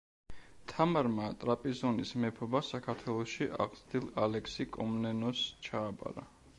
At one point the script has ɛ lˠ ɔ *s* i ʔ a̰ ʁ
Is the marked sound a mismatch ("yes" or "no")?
yes